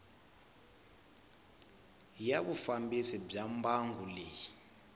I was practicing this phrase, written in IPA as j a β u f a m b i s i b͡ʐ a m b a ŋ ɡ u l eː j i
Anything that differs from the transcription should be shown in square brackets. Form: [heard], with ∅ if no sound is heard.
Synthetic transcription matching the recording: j a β u f a m b i s i b͡ʐ a m b a ŋ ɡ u l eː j i